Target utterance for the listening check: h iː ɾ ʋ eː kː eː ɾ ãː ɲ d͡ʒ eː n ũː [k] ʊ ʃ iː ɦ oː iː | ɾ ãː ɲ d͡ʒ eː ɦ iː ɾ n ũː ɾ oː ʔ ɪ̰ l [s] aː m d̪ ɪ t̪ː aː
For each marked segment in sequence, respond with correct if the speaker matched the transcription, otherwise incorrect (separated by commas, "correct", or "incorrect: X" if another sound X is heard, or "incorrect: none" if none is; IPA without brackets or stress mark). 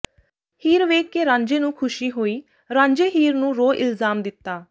incorrect: kʰ, incorrect: z